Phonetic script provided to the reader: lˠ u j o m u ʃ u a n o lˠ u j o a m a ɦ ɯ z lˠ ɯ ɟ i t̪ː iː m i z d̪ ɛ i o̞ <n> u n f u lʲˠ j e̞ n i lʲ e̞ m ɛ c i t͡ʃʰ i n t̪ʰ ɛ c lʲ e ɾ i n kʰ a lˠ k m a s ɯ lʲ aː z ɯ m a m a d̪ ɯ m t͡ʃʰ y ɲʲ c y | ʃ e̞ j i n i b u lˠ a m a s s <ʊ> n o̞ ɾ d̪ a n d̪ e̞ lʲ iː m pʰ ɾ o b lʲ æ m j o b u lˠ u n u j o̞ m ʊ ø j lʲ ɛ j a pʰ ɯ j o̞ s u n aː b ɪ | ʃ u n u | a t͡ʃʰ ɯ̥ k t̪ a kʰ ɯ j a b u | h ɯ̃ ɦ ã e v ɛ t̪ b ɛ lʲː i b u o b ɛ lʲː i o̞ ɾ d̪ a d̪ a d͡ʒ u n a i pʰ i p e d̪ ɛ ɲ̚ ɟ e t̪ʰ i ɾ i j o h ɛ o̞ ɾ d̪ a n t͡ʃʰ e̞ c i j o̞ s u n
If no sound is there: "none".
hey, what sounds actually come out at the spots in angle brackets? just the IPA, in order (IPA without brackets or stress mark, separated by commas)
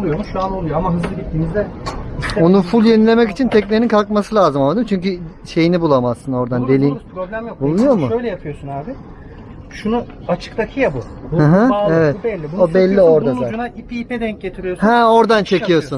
n, ɯ